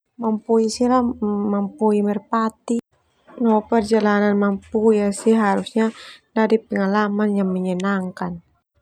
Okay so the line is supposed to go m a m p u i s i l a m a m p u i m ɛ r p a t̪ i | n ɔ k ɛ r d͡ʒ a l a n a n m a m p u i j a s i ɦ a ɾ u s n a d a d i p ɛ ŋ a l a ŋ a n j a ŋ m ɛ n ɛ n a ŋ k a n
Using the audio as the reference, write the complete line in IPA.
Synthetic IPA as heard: m a m p u i s i l a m a m p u i m ɛ r p a t̪ i | n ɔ p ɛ r d͡ʒ a l a n a n m a m p u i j a s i ɦ a ɾ u s ɲ a d a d i p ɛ ŋ a l a m a n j a ŋ m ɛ ɲ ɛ n a ŋ k a n